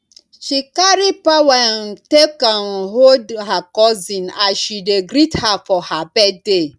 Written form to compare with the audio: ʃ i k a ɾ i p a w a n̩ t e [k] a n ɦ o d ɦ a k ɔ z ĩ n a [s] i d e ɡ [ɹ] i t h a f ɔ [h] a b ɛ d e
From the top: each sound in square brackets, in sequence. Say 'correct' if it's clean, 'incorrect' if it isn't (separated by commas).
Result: correct, incorrect, incorrect, correct